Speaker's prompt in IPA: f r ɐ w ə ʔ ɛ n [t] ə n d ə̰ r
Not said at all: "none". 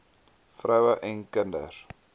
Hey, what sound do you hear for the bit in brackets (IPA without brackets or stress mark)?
k